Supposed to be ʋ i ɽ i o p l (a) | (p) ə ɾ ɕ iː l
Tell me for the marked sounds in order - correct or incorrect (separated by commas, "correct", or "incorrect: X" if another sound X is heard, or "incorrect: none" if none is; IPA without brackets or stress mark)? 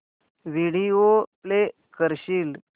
incorrect: e, incorrect: k